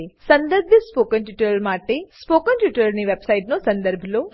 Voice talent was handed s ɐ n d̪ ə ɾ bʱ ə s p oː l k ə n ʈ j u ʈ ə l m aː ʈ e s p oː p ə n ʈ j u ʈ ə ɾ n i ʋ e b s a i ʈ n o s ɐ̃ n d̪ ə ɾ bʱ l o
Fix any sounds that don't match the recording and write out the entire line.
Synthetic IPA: s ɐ n d̪ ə ɾ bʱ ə s p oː k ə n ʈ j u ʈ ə l m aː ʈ e s p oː k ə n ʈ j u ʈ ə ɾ n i ʋ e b s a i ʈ n o s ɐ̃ n d̪ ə ɾ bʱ l o